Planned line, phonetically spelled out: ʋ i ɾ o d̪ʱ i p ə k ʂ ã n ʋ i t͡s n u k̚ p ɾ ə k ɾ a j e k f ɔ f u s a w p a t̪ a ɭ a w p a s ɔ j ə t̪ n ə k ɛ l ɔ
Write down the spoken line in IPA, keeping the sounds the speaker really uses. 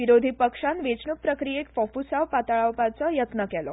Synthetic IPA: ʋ i ɾ o d̪ʱ i p ə k ʂ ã n ʋ e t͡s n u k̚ p ɾ ə k ɾ i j e k f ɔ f u s a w p a t̪ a ɭ a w p a t͡s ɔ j ə t̪ n ə k ɛ l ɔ